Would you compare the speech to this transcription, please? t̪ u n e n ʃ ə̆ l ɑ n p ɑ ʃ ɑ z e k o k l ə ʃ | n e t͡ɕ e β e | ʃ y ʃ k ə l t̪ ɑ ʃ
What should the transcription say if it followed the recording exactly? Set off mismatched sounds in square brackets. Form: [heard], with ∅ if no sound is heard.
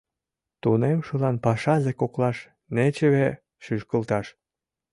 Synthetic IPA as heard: t̪ u n e [m] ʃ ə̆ l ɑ n p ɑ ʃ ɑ z e k o k l [ɑ] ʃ | n e t͡ɕ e β e | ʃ y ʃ k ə l t̪ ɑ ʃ